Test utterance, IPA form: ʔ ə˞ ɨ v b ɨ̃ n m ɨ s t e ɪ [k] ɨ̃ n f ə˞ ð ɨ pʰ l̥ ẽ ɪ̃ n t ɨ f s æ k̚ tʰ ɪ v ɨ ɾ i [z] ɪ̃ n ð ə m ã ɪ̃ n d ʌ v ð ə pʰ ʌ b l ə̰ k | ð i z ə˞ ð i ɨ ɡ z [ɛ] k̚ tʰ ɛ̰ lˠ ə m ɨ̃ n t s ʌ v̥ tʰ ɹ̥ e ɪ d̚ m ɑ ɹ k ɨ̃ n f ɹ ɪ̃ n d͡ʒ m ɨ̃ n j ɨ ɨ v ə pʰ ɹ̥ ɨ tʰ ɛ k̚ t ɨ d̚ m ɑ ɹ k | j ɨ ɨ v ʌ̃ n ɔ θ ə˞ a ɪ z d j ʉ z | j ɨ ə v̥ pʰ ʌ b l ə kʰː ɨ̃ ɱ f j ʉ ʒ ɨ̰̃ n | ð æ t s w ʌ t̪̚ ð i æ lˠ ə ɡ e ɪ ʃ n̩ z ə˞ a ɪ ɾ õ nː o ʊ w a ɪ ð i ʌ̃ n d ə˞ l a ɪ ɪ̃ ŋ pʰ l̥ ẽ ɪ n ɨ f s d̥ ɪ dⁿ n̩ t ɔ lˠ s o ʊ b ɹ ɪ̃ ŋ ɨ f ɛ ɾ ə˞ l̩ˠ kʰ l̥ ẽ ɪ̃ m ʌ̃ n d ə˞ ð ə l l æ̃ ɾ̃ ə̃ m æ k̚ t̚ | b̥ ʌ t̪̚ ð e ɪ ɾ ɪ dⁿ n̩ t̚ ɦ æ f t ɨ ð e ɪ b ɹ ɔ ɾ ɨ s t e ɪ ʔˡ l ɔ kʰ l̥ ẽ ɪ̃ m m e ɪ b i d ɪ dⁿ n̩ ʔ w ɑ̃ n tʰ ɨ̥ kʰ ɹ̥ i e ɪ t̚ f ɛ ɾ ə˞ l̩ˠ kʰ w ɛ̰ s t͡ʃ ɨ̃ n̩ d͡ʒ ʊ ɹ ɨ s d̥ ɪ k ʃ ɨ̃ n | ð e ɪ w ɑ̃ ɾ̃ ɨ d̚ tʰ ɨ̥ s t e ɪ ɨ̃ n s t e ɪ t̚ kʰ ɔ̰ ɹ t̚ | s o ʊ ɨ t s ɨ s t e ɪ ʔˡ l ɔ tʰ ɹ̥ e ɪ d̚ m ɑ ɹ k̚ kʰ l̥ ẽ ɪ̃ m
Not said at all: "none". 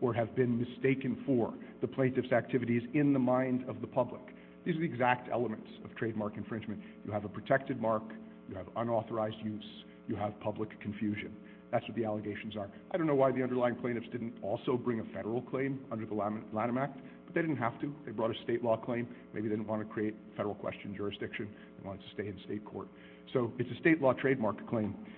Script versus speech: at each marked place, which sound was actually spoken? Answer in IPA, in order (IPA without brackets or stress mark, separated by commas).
k, z, æ